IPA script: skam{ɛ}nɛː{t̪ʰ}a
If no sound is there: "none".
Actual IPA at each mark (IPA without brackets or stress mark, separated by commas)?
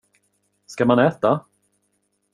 a, t̪